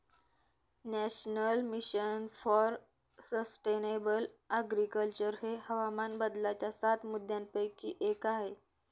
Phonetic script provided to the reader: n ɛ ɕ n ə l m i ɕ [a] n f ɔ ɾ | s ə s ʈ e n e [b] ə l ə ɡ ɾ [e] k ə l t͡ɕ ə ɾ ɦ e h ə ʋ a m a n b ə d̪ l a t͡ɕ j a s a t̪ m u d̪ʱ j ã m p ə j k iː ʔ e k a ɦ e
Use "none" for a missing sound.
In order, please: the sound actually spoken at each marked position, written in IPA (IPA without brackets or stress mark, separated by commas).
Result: ə, b, i